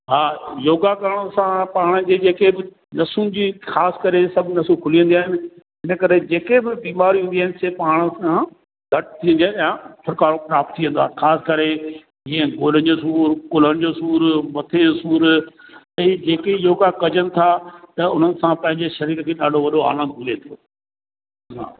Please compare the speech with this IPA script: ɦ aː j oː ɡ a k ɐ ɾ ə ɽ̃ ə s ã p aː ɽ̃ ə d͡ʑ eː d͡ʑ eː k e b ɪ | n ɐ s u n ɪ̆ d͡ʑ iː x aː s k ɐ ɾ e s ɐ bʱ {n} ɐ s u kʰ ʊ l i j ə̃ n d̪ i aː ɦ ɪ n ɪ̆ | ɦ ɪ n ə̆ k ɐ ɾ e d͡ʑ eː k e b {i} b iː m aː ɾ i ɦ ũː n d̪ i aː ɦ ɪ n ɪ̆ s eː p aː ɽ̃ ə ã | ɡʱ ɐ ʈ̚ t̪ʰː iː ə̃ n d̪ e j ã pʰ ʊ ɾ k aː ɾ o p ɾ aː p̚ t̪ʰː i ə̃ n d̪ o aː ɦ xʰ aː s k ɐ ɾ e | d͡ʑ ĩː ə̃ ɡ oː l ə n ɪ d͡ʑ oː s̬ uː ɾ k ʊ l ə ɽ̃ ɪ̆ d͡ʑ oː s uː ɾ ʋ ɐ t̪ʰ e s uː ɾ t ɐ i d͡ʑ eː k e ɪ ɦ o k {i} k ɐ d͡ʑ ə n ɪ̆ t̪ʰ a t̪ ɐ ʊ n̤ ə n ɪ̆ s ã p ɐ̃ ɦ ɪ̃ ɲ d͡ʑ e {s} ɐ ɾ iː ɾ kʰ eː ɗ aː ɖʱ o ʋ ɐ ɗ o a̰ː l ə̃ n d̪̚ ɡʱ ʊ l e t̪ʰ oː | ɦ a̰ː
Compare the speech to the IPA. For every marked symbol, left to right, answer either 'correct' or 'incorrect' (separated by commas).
correct, incorrect, incorrect, incorrect